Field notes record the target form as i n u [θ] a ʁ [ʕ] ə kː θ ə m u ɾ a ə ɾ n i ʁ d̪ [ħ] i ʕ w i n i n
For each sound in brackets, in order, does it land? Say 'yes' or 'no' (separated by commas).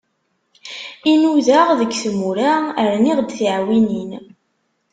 no, no, no